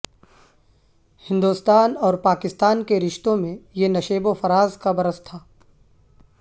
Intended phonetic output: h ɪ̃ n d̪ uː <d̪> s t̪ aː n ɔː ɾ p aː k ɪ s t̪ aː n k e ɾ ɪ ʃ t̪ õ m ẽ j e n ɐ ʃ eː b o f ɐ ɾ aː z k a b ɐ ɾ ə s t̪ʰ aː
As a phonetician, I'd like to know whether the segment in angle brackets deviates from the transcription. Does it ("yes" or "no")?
yes